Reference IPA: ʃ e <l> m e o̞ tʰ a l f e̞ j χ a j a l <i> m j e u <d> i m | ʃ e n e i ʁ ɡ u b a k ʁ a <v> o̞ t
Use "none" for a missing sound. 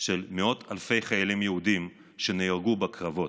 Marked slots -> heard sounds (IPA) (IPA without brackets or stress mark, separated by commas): l, i, d, v